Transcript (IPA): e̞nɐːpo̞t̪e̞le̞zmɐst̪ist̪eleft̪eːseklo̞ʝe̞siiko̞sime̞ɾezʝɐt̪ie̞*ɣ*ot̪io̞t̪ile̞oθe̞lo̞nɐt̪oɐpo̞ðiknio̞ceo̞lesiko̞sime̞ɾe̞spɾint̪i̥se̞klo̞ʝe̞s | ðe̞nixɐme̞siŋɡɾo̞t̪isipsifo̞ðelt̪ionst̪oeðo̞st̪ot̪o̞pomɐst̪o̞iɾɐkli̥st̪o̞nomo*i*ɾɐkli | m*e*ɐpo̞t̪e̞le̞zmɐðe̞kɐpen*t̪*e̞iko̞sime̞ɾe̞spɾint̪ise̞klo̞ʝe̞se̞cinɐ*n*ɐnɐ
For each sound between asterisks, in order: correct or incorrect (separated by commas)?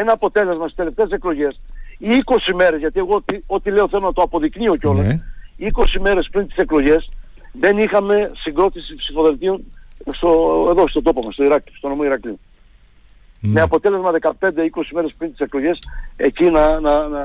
correct, correct, correct, incorrect, correct